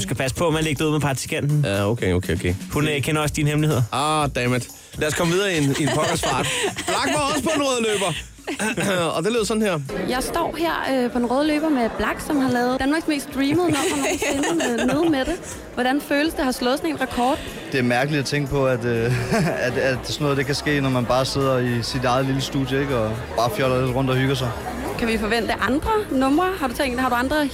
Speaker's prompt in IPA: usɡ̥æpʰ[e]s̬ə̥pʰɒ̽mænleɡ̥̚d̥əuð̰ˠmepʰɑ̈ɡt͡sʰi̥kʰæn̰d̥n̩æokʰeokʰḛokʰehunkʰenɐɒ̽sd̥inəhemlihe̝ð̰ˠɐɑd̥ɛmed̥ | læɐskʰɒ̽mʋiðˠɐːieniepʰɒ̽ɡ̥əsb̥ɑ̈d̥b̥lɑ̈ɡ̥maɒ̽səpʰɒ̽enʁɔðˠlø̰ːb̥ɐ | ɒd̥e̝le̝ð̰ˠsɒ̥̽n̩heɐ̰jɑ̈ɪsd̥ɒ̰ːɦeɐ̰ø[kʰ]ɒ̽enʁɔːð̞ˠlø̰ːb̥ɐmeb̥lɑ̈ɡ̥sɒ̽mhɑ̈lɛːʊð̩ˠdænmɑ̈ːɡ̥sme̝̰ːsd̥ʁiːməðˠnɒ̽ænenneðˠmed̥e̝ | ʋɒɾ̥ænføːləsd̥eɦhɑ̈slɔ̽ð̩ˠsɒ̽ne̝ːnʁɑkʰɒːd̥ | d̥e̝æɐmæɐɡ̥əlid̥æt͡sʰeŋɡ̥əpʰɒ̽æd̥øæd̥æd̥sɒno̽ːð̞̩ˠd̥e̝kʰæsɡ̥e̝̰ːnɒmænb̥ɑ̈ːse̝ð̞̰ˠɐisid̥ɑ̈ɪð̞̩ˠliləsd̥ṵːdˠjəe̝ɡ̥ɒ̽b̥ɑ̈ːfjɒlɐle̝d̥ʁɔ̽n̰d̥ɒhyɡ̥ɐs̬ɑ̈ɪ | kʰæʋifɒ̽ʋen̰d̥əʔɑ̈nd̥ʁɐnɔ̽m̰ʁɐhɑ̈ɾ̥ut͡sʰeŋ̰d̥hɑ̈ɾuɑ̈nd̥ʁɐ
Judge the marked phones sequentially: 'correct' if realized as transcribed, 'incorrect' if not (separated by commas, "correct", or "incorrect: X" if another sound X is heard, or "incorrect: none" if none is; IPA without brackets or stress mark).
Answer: incorrect: æ, incorrect: pʰ